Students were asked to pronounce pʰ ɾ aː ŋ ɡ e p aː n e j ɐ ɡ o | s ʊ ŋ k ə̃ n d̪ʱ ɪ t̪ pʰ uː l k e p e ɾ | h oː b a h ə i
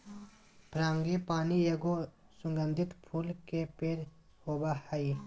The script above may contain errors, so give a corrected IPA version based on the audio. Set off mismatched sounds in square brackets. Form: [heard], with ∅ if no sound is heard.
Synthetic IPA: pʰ ɾ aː ŋ ɡ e p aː n [i] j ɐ ɡ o | s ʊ ŋ [ɡ] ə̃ n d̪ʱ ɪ t̪ pʰ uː l k e p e ɾ | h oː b a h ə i